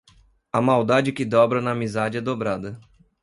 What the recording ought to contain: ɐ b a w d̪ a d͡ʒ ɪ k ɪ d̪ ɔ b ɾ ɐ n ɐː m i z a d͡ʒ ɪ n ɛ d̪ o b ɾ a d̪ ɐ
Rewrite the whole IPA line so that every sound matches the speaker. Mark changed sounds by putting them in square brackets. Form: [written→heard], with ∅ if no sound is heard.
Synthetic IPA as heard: ɐ [b→m] a w d̪ a d͡ʒ ɪ k ɪ d̪ ɔ b ɾ ɐ n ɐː m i z a d͡ʒ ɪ [n→∅] ɛ d̪ o b ɾ a d̪ ɐ